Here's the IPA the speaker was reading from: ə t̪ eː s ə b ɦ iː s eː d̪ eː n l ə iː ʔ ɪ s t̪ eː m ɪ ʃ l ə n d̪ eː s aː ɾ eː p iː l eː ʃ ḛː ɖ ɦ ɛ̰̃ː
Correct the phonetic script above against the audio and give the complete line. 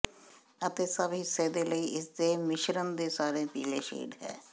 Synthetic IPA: ə t̪ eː s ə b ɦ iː s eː d̪ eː l ə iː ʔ ɪ s d̪ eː m ɪ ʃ ɾ ə n d̪ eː s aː ɾ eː p iː l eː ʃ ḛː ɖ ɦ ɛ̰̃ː